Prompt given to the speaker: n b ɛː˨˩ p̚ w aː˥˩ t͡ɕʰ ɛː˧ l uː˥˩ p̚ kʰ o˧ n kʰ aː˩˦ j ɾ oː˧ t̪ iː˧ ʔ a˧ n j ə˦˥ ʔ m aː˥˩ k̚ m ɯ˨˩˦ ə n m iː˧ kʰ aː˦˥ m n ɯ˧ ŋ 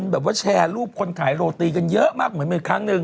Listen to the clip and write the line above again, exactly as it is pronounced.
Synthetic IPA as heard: n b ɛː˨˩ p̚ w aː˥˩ t͡ɕʰ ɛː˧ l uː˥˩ p̚ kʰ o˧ n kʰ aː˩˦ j ɾ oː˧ t̪ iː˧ k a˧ n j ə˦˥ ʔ m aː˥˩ k̚ m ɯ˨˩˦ ə n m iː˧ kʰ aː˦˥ ŋ n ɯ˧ ŋ